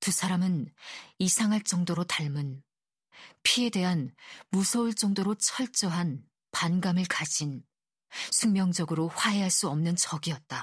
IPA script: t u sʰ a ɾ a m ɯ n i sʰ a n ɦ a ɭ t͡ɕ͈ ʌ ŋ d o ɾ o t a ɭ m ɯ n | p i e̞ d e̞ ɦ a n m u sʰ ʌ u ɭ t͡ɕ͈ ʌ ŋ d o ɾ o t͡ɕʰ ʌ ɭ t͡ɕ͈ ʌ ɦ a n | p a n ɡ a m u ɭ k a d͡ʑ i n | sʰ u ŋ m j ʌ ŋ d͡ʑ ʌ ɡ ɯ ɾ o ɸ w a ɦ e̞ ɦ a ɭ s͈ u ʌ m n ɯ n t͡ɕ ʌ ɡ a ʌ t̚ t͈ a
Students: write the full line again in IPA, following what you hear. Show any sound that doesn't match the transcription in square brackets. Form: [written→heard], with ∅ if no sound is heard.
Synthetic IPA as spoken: t u sʰ a ɾ a m ɯ n i sʰ a [n→ŋ] ɦ a ɭ t͡ɕ͈ ʌ ŋ d o ɾ o t a ɭ m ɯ n | [p→pʰ] i e̞ d e̞ ɦ a n m u sʰ ʌ u ɭ t͡ɕ͈ ʌ ŋ d o ɾ o t͡ɕʰ ʌ ɭ t͡ɕ͈ ʌ ɦ a n | p a n ɡ a m [u→ɯ] ɭ k a d͡ʑ i n | sʰ u ŋ m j ʌ ŋ d͡ʑ ʌ ɡ ɯ ɾ o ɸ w a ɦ e̞ ɦ a ɭ s͈ u ʌ m n ɯ n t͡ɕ ʌ ɡ [a→i] ʌ t̚ t͈ a